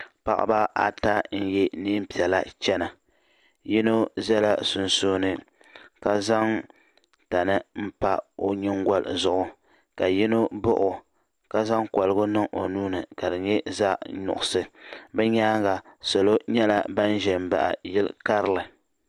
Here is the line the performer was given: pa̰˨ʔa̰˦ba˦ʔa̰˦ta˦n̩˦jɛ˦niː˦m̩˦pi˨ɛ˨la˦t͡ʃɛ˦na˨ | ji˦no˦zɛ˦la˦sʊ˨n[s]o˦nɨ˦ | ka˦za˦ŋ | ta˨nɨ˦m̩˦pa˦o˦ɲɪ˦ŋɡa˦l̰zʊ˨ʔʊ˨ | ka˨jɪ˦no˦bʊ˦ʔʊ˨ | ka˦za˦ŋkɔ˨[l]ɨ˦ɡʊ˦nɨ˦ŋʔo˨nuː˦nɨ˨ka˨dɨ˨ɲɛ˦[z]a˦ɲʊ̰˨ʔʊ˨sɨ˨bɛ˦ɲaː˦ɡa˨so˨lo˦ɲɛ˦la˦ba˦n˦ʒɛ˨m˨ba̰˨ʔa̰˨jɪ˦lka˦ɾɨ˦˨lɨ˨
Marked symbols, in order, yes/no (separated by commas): yes, yes, yes